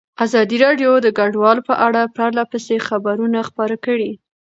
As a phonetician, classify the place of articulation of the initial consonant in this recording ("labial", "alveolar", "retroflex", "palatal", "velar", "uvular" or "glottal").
alveolar